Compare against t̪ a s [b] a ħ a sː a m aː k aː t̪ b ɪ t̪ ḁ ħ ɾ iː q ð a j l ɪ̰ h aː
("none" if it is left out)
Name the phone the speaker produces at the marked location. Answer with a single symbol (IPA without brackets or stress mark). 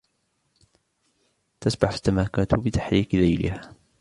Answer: b